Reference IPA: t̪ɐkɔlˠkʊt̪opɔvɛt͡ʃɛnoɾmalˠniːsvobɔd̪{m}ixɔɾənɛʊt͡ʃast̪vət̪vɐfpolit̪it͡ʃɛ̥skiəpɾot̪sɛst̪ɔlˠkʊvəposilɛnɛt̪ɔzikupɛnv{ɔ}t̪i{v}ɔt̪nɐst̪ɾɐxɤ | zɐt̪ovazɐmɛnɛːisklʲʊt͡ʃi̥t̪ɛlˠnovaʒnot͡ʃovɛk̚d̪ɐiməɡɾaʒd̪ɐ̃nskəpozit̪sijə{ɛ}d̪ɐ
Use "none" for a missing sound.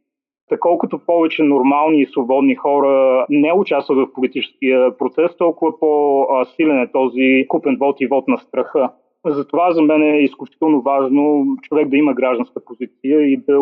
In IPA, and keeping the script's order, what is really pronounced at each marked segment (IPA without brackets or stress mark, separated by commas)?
n, ɔ, v, i